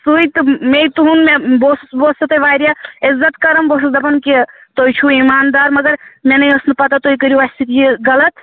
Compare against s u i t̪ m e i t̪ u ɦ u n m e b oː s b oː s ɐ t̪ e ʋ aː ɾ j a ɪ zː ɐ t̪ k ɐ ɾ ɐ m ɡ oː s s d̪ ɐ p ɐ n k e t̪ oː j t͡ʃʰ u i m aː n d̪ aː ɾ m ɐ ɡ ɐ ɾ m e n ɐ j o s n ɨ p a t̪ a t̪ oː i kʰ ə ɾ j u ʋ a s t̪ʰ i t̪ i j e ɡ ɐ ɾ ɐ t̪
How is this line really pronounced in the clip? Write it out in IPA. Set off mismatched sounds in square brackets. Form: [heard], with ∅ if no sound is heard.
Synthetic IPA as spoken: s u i t̪ m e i t̪ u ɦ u n m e b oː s b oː s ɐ t̪ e ʋ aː ɾ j a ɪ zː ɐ t̪ k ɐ ɾ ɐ m [b] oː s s d̪ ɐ p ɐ n k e t̪ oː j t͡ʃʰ u i m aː n d̪ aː ɾ m ɐ ɡ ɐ ɾ m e n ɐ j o s n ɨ p [ɐ] t̪ a t̪ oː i [k] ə ɾ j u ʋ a s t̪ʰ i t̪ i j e ɡ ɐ [l] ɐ t̪